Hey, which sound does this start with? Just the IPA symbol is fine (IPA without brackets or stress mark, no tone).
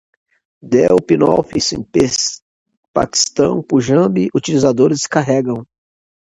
d̪